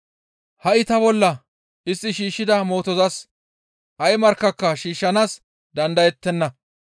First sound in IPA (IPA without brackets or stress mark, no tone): h